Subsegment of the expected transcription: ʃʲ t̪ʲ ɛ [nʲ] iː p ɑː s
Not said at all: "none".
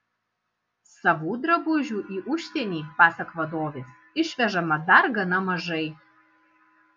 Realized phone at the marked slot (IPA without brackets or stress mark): nʲ